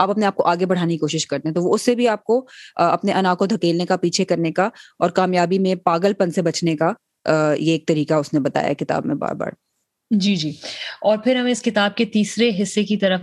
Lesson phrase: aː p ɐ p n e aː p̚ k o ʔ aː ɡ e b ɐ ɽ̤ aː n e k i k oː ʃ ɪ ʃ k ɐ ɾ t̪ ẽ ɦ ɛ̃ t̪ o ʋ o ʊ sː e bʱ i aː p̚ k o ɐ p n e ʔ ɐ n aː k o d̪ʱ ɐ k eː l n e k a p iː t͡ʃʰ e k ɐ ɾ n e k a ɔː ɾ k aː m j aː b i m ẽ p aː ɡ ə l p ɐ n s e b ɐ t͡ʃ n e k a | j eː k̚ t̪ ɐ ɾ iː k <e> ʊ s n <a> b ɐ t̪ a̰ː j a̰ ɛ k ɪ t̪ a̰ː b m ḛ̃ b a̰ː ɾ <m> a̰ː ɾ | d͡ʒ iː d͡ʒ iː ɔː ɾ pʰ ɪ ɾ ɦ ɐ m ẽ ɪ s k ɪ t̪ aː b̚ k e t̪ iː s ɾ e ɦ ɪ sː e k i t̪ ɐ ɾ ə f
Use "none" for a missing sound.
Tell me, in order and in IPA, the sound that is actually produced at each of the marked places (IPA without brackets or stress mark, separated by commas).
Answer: a, e, b